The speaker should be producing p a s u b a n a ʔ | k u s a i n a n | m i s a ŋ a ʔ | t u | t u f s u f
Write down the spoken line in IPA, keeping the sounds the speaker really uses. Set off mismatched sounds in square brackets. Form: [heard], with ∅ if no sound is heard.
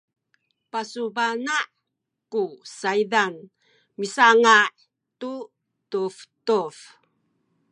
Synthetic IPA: p a s u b a n a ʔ | k u s a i [d] a n | m i s a ŋ a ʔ | t u | t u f [t] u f